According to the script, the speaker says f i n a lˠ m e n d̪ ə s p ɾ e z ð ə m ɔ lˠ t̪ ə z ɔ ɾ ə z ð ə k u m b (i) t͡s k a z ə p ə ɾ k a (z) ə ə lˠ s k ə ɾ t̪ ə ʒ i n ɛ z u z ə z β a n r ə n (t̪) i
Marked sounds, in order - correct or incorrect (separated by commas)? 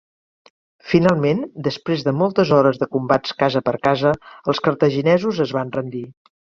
incorrect, correct, incorrect